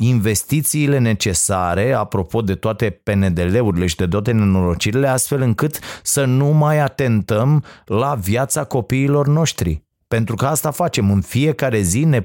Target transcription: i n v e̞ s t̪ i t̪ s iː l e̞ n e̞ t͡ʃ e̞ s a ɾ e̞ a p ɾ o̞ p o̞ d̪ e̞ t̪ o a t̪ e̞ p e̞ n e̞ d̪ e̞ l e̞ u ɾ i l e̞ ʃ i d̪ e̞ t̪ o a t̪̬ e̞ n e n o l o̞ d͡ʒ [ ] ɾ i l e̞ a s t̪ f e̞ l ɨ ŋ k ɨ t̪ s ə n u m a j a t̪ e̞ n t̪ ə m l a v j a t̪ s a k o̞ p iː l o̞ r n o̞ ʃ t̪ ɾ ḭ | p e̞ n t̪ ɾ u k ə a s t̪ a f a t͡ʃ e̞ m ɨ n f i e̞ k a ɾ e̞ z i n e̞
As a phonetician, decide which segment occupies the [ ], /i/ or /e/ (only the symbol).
i